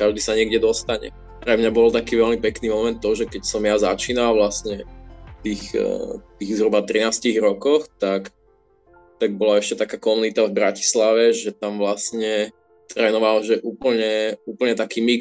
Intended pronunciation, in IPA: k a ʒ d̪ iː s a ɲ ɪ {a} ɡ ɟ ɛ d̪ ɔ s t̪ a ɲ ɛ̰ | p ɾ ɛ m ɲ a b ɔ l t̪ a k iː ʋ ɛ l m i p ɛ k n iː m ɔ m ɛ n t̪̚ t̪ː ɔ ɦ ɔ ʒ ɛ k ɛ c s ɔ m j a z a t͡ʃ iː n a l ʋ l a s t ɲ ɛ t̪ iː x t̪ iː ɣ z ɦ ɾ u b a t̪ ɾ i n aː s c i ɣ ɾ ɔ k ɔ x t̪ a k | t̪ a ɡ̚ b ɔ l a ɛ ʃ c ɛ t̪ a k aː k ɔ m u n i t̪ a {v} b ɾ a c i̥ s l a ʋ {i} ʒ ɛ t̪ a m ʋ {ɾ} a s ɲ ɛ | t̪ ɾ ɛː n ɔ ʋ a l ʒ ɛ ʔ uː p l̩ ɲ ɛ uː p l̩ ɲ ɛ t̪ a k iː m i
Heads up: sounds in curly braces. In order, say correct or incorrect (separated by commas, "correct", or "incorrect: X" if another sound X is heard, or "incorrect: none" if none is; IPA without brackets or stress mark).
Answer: incorrect: ɛ, correct, incorrect: ɛ, incorrect: l